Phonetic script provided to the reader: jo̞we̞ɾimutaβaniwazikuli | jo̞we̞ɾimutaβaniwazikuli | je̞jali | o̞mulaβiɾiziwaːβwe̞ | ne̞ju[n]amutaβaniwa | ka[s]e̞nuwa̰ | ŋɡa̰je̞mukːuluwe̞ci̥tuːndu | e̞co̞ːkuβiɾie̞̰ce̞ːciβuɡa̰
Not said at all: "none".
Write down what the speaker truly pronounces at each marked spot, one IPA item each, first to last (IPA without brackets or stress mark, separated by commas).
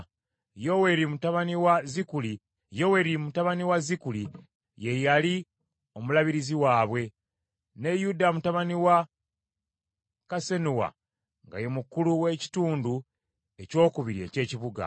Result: d, s